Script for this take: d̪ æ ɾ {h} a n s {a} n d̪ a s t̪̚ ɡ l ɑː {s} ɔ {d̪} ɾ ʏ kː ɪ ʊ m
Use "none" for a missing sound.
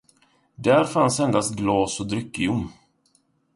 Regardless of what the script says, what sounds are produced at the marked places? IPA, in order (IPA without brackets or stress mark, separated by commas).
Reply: f, ɛ, s, d̪